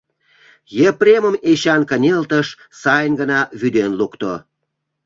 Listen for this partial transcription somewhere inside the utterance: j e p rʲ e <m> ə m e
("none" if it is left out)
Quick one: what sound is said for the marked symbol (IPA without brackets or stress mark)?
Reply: m